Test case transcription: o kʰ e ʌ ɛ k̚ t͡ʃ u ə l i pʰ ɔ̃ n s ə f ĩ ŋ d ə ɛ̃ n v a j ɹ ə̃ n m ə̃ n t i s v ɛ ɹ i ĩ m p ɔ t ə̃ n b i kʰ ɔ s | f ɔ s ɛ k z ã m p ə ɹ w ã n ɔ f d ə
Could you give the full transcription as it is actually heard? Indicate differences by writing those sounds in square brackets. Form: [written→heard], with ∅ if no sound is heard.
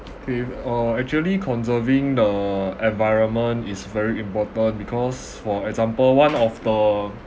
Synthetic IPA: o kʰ e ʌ ɛ k̚ t͡ʃ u ə l i [pʰ→kʰ] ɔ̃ n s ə [f→v] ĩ ŋ d ə ɛ̃ n v a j ɹ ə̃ n m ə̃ n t i s v ɛ ɹ i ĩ m p ɔ t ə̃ n b i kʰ ɔ s | f ɔ [s→∅] ɛ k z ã m p ə [ɹ→l] w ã n ɔ f d ə